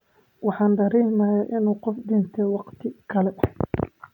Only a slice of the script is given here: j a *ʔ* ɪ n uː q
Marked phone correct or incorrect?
correct